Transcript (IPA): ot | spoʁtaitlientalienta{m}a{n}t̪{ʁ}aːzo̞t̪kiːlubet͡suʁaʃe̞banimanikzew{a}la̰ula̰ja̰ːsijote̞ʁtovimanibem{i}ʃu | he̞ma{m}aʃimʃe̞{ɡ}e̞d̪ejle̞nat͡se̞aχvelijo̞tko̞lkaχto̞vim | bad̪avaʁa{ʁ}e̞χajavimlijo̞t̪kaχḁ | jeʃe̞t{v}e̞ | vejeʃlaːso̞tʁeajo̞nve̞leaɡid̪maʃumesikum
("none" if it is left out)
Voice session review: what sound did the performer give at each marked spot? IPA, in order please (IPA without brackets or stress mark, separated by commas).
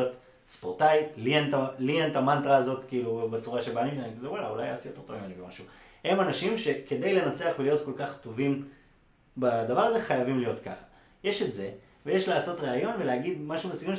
m, n, ʁ, a, a, n, k, z, z